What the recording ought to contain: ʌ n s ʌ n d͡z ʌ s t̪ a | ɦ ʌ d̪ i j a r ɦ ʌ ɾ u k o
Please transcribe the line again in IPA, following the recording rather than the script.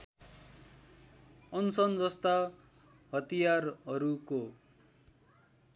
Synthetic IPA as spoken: ʌ n s ʌ n d͡z ʌ s t̪ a | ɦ ʌ t̪ i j a r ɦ ʌ ɾ u k o